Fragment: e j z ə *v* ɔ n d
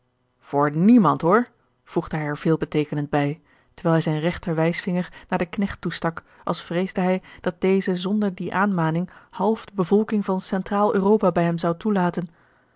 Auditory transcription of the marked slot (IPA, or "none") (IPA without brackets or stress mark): z